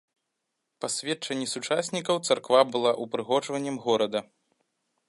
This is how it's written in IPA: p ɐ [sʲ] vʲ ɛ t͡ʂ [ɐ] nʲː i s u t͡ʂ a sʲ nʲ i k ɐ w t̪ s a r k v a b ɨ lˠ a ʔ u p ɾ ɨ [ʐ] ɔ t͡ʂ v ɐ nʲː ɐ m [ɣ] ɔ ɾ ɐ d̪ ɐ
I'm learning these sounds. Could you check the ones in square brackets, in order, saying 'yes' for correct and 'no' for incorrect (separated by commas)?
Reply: yes, yes, no, yes